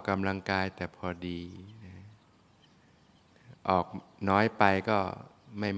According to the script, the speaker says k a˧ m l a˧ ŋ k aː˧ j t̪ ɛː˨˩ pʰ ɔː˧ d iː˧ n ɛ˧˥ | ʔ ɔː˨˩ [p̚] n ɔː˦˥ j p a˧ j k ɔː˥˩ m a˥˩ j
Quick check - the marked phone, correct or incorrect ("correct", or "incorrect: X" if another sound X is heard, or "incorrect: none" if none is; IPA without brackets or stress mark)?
incorrect: k̚